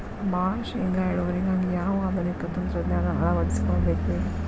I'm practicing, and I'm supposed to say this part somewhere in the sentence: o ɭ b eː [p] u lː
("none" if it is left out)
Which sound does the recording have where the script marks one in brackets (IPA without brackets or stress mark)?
k